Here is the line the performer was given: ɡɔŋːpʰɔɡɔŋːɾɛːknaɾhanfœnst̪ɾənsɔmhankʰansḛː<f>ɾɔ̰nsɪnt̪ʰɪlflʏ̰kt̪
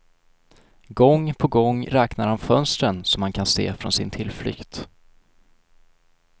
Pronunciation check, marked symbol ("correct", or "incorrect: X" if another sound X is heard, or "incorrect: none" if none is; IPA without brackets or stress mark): correct